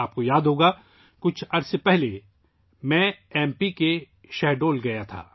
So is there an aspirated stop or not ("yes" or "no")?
yes